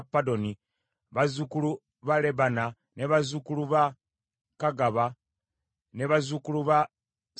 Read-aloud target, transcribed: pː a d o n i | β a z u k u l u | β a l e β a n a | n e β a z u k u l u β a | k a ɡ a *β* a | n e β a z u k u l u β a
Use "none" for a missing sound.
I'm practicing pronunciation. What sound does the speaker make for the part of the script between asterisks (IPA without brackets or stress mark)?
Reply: β